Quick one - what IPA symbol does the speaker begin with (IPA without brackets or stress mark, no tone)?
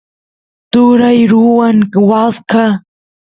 t̪